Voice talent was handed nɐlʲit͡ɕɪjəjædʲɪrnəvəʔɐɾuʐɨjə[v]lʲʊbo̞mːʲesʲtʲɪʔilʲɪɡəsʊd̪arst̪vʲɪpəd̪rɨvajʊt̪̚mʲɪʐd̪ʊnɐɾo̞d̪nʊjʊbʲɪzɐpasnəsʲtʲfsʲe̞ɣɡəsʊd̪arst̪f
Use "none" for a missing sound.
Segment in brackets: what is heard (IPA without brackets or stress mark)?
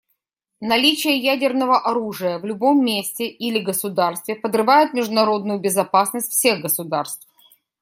v